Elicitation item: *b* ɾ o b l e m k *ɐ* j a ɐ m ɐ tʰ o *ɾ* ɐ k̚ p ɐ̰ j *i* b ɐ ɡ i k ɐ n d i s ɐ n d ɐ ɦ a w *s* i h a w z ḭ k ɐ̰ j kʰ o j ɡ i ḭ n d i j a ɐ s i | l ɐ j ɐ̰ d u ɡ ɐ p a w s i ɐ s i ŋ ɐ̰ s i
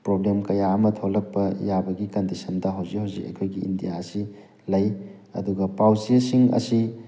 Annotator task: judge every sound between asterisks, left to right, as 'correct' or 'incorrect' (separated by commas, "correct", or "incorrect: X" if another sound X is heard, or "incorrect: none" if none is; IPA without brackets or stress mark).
incorrect: p, correct, incorrect: l, incorrect: a, incorrect: z